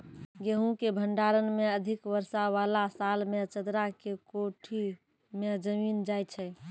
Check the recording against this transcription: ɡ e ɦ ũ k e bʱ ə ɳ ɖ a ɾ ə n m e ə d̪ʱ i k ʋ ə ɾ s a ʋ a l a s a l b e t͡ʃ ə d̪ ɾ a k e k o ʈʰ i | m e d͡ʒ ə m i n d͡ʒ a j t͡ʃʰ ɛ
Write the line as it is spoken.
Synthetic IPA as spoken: ɡ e ɦ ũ k e bʱ ə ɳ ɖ a ɾ ə n m e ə d̪ʱ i k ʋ ə ɾ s a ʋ a l a s a l m e t͡ʃ ə d̪ ɾ a k e k o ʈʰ i | m e d͡ʒ ə m i n d͡ʒ a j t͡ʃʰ ɛ